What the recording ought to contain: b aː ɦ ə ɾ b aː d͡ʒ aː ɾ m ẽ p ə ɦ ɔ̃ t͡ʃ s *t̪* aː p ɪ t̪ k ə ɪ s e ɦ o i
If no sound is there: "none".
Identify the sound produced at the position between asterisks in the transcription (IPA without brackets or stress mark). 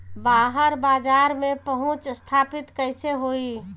t̪ʰ